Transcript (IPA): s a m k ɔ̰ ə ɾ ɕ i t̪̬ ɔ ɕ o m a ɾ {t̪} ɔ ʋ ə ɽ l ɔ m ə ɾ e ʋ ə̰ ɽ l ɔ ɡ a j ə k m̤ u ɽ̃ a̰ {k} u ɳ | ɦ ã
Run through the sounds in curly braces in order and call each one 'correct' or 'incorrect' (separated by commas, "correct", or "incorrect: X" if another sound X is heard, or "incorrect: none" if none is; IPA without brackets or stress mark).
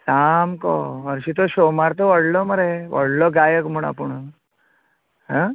correct, incorrect: p